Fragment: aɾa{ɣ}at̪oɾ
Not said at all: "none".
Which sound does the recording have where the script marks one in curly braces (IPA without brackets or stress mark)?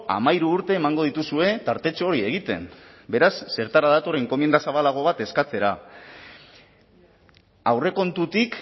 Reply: ð